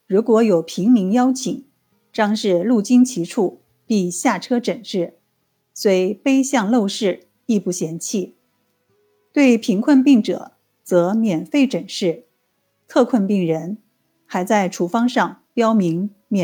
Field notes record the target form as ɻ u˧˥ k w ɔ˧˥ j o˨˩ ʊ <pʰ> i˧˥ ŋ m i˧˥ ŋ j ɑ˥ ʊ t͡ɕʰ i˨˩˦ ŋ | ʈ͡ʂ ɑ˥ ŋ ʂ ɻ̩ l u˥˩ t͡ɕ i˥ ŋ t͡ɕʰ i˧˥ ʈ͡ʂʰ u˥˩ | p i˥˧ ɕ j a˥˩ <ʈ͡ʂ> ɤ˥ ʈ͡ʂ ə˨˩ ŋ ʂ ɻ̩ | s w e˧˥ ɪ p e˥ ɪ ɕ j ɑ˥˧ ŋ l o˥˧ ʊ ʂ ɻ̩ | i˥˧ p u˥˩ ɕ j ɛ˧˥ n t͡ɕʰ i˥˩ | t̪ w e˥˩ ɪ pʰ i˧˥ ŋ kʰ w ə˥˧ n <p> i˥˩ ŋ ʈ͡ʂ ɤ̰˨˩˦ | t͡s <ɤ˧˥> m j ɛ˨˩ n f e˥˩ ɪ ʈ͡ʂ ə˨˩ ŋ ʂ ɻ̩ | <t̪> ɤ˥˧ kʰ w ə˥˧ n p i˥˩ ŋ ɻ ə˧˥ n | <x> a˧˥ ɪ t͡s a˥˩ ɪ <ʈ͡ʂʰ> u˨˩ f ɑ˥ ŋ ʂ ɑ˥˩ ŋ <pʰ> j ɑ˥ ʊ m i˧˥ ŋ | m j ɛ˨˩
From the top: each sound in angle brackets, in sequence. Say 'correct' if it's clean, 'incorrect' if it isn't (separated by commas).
correct, incorrect, correct, correct, incorrect, correct, correct, incorrect